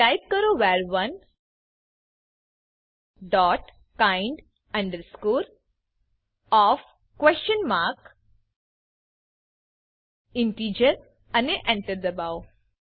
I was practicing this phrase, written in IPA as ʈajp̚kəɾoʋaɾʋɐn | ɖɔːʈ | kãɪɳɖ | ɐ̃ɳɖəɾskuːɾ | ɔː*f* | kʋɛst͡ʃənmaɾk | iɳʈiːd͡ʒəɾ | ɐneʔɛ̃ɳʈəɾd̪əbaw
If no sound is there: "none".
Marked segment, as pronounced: f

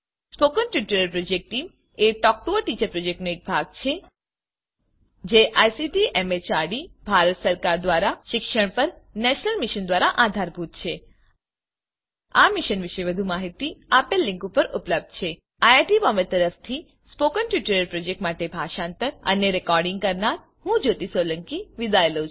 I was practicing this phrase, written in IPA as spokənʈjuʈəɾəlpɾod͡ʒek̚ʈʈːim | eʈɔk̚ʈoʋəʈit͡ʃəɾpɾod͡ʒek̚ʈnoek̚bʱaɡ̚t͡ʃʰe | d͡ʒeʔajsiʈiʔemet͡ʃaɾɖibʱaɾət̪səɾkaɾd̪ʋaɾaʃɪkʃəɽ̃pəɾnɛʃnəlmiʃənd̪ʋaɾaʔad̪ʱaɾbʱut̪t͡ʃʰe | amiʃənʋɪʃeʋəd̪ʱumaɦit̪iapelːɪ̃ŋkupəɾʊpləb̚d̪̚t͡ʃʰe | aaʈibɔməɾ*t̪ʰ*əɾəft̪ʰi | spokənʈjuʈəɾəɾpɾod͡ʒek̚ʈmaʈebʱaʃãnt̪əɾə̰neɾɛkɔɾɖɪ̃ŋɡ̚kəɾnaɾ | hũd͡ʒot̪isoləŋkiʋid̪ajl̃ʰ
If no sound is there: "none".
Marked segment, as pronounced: t̪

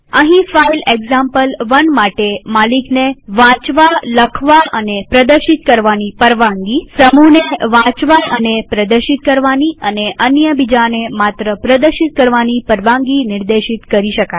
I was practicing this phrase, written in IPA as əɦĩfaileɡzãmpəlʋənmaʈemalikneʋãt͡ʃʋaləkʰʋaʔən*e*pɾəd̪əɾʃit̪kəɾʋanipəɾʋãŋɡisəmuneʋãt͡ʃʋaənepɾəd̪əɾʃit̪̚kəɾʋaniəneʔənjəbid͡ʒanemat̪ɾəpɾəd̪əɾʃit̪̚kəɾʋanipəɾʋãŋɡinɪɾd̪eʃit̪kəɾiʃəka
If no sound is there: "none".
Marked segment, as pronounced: e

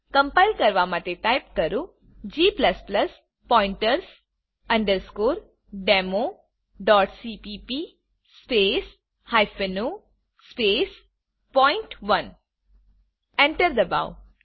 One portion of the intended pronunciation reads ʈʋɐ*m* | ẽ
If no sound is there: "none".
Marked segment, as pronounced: n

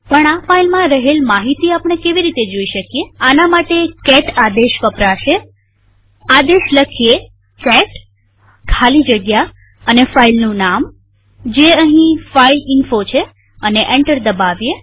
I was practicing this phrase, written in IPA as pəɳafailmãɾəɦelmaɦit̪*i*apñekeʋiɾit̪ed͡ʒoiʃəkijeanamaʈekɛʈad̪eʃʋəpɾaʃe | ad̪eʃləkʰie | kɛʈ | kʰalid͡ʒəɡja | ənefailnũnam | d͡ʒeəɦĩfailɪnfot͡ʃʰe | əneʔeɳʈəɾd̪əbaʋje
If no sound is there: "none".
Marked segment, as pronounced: i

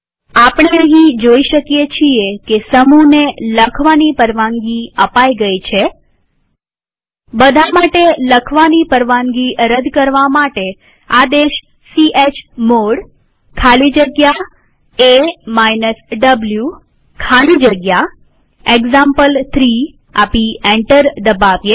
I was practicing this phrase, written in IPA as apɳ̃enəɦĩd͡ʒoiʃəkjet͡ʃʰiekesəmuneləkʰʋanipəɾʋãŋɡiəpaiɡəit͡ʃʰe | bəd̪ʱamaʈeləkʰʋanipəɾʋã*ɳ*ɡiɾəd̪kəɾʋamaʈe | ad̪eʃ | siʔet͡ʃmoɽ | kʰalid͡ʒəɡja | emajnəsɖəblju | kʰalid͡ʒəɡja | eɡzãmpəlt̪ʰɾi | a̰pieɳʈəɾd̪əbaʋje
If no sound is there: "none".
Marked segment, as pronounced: ŋ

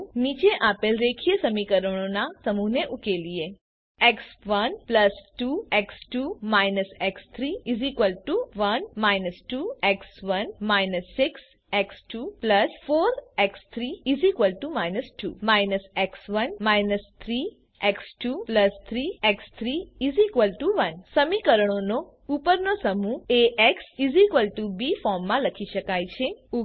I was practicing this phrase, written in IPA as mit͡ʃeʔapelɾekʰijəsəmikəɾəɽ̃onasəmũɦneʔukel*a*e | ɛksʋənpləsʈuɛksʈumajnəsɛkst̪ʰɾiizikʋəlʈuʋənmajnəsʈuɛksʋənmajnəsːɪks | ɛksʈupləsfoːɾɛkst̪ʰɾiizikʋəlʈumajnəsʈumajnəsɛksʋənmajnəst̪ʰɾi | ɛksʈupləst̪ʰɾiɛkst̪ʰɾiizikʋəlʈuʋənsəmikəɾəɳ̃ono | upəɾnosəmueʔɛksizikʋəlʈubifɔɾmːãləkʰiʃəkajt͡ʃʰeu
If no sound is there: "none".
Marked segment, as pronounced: i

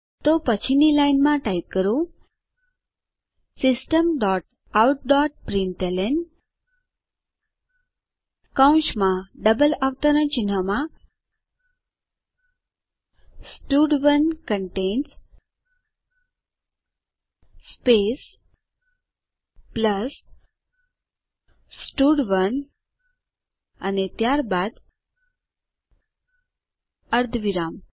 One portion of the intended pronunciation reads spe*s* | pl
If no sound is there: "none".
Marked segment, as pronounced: s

